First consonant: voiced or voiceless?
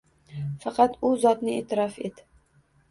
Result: voiceless